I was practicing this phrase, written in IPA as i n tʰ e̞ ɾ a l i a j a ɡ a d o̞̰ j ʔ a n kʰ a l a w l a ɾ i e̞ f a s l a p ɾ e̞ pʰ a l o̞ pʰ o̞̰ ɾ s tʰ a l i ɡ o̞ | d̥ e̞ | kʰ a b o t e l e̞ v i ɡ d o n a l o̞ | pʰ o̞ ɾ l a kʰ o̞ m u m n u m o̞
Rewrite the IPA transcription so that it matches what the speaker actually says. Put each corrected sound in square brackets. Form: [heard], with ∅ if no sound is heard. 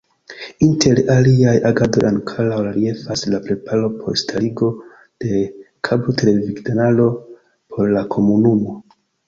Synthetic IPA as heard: i n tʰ e̞ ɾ a l i a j a ɡ a d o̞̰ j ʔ a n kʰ a l a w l a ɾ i e̞ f a s l a p ɾ e̞ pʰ a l o̞ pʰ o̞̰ ɾ s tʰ a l i ɡ o̞ | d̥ e̞ | kʰ a b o t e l e̞ v i ɡ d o n a l o̞ | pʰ o̞ ɾ l a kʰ o̞ m u [∅] n u m o̞